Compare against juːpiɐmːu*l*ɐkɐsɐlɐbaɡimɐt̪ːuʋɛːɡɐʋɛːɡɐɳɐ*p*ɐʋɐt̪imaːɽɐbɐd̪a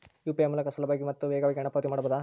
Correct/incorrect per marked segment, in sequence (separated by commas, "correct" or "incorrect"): correct, correct